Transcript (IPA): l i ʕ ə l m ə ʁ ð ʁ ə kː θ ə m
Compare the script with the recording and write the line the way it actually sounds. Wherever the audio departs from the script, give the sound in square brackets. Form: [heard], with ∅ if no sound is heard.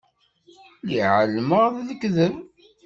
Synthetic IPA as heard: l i ʕ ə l m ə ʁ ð [ð] ə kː [ð] ə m